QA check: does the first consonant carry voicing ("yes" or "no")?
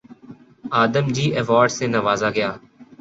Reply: yes